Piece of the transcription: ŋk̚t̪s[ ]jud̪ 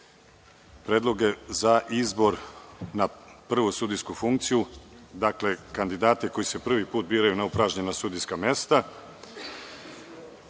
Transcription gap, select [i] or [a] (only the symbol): i